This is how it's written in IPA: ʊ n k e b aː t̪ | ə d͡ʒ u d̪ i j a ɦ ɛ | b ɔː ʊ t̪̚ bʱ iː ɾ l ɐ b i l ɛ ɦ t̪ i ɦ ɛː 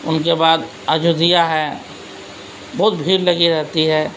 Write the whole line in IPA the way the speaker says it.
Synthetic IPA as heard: ʊ n k e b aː d̪ | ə d͡ʒ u d̪ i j a ɦ ɛ | b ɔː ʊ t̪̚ bʱ iː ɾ l ɐ ɡ i ɾ ɛ ɦ t̪ i ɦ ɛː

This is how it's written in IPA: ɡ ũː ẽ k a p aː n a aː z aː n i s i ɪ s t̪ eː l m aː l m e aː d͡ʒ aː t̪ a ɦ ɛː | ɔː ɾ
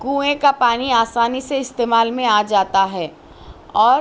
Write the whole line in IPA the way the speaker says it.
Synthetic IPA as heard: ɡ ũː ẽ k a p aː n i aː s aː n i s e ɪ s t̪ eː m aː l m ẽ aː d͡ʒ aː t̪ a ɦ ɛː | ɔː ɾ

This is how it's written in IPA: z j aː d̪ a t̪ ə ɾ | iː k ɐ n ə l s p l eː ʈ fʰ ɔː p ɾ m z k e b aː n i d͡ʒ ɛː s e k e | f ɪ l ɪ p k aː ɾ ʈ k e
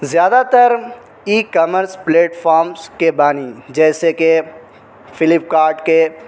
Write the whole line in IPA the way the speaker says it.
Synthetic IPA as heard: z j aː d̪ a t̪ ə ɾ | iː k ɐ m ə ɾ s p l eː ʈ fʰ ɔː ɾ m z k e b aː n i d͡ʒ ɛː s e k e | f ɪ l ɪ p k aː ɾ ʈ k e

